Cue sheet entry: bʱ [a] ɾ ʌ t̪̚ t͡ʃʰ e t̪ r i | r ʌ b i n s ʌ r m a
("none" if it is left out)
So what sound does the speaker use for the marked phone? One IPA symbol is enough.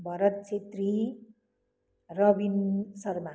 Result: ʌ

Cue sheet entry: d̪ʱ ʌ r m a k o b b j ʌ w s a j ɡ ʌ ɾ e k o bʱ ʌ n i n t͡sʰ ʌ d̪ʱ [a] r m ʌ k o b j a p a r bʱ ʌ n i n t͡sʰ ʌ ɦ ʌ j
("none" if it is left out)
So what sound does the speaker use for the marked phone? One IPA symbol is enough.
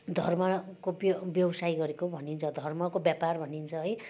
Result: ʌ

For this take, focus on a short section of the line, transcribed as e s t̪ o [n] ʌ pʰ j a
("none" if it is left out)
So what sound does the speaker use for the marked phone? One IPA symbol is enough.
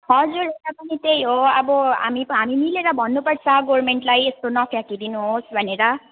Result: n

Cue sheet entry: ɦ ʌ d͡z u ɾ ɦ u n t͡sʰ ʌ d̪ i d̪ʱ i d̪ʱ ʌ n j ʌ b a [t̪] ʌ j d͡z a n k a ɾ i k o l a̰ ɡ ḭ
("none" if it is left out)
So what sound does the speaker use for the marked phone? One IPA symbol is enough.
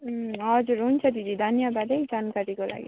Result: d̪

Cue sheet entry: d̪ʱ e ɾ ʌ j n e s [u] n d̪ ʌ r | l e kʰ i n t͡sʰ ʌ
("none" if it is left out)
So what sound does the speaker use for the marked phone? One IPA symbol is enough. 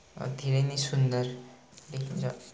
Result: u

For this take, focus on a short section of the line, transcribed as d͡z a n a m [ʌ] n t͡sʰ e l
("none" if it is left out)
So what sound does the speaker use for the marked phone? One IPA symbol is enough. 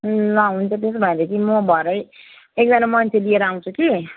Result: ʌ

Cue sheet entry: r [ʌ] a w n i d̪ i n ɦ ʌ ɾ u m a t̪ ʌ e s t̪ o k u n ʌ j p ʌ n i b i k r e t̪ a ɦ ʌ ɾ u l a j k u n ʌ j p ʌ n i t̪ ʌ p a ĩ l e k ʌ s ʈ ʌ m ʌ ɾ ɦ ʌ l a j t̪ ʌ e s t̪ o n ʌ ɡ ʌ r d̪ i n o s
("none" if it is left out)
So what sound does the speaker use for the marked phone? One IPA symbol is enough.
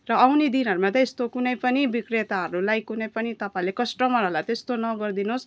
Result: ʌ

